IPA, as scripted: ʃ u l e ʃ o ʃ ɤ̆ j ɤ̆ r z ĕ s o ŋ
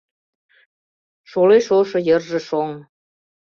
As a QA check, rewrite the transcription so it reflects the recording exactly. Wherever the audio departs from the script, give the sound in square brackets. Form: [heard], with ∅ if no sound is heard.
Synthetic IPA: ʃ [o] l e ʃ o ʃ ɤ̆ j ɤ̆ r [ʒ] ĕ [ʃ] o ŋ